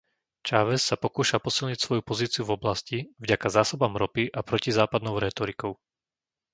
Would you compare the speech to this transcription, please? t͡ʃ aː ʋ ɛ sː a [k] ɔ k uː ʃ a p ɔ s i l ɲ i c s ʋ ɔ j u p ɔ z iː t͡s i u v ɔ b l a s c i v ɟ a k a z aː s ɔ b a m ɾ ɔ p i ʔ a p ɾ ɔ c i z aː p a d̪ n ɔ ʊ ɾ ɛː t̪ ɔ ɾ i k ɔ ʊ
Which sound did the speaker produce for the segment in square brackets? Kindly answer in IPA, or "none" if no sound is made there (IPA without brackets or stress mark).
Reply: p